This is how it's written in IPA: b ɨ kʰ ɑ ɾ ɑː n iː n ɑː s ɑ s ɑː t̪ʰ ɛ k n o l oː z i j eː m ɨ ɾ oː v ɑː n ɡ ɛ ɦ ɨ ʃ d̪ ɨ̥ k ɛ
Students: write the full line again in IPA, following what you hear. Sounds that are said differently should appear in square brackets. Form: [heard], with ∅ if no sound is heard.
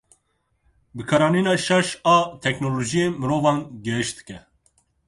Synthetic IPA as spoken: b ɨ kʰ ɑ ɾ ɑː n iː n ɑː [ʃ] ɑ [ʃ] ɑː t̪ʰ ɛ k n o l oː [ʒ] i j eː m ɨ ɾ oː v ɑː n ɡ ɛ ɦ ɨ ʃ d̪ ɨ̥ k ɛ